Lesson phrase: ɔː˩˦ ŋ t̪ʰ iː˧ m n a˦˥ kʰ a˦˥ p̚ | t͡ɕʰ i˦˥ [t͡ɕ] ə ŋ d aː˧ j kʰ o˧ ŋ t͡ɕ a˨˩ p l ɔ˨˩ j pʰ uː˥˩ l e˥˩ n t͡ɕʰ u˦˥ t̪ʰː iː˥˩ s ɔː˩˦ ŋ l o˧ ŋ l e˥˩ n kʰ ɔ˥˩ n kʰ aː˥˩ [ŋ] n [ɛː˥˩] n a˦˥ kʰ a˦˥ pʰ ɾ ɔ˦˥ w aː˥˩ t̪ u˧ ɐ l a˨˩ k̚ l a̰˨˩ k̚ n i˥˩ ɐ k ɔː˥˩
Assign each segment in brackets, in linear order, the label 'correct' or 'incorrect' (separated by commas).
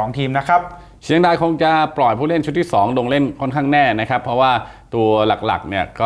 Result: incorrect, correct, correct